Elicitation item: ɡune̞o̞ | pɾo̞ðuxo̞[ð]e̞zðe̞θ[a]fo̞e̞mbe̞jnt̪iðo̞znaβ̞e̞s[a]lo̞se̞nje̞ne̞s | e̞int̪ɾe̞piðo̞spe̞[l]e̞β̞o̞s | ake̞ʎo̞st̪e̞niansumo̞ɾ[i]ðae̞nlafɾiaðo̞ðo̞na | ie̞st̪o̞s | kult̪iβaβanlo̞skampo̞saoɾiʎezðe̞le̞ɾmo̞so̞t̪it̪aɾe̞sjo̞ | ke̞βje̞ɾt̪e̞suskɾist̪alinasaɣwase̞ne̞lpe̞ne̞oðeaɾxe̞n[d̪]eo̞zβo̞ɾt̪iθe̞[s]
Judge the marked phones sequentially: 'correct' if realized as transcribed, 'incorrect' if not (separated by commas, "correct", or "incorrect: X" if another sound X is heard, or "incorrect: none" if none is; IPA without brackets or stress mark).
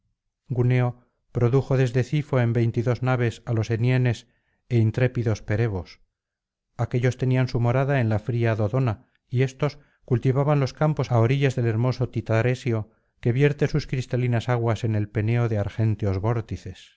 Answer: correct, incorrect: i, correct, incorrect: ɾ, incorrect: a, incorrect: t̪, correct